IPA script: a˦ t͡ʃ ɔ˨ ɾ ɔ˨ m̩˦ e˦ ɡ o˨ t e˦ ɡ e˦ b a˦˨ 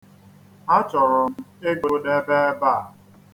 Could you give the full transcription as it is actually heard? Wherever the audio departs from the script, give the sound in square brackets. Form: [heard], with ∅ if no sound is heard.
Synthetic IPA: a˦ t͡ʃ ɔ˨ ɾ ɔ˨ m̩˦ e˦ ɡ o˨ [d] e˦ [b] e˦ b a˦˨